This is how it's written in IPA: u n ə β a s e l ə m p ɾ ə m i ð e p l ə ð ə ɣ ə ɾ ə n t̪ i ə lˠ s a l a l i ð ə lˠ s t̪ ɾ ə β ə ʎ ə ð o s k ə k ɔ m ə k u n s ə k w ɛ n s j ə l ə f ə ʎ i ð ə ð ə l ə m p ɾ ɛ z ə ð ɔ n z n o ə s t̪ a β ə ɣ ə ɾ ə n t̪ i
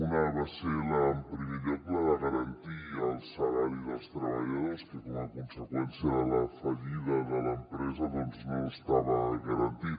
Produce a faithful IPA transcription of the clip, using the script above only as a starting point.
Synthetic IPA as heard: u n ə β a s e l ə m p ɾ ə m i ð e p l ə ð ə ɣ ə ɾ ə n t̪ i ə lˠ s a l a ɾ i ð ə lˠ s t̪ ɾ ə β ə ʎ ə ð o s k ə k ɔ m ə k u n s ə k w ɛ n s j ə l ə f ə ʎ i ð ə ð ə l ə m p ɾ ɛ z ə ð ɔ n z n o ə s t̪ a β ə ɣ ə ɾ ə n t̪ i